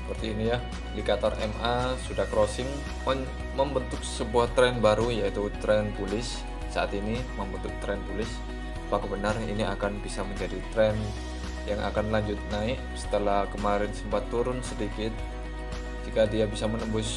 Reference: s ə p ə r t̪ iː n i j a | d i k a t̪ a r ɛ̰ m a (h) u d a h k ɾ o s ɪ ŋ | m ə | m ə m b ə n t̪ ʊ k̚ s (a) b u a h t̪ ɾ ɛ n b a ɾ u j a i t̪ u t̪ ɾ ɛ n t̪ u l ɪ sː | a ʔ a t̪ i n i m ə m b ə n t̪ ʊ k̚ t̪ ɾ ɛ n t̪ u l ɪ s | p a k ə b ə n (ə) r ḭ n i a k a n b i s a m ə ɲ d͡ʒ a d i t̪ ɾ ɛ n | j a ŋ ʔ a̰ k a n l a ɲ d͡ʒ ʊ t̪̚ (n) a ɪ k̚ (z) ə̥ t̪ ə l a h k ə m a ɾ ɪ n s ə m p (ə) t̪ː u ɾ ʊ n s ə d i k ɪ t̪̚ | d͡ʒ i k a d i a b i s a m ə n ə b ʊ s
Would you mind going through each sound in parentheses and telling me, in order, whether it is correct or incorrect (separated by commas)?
incorrect, incorrect, incorrect, correct, incorrect, incorrect